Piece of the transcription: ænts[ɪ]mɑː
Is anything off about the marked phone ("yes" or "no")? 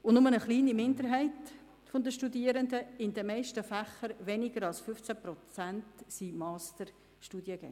yes